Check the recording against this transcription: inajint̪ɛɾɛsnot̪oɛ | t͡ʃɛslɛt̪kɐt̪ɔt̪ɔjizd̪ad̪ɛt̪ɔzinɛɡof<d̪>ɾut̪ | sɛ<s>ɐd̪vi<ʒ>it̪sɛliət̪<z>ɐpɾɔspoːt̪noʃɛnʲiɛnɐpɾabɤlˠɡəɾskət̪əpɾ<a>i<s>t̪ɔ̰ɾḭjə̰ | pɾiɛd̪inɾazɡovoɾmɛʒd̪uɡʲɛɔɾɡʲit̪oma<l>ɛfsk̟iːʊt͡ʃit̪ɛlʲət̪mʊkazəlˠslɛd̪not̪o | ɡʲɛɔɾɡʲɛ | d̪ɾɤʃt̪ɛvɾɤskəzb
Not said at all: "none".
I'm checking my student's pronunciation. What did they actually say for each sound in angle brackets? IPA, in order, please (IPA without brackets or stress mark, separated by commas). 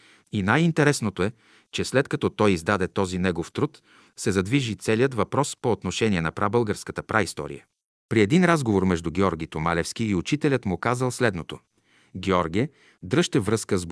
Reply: t̪, z, ʒ, v, a, s, l